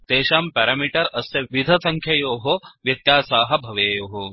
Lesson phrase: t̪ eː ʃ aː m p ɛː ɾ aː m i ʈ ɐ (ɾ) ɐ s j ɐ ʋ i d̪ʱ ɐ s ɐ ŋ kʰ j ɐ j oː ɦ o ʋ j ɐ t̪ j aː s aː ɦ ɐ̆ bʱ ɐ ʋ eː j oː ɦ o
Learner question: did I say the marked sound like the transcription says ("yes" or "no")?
yes